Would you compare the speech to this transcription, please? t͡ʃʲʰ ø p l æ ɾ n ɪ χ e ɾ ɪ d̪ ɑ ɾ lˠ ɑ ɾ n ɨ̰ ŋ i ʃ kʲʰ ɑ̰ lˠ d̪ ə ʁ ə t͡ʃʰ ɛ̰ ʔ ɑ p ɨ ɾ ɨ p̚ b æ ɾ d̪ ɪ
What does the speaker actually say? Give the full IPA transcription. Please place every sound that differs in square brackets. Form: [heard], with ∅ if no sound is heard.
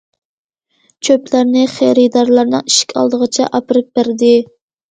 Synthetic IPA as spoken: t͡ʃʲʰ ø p l æ ɾ n ɪ χ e ɾ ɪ d̪ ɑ ɾ lˠ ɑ ɾ n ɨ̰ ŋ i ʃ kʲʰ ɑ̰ lˠ d̪ ə ʁ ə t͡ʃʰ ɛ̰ ʔ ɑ p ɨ ɾ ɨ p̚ b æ ɾ d̪ ɪ